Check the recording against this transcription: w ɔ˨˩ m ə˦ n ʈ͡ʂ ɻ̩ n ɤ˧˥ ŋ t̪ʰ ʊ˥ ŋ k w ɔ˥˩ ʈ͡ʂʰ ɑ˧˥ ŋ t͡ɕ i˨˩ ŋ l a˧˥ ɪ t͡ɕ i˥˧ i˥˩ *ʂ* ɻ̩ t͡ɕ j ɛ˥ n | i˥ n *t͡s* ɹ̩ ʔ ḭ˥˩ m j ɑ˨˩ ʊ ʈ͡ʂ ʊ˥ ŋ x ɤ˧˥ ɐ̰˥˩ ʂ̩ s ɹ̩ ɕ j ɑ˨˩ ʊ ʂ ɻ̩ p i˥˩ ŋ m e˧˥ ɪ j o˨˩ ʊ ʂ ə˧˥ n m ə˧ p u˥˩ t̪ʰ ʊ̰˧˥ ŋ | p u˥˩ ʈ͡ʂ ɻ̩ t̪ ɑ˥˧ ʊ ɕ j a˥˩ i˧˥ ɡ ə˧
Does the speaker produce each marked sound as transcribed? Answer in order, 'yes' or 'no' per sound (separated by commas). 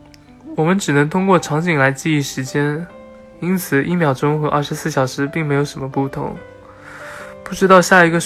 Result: yes, no